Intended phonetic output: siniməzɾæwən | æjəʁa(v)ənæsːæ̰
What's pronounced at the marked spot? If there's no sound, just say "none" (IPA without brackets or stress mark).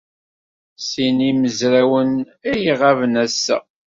v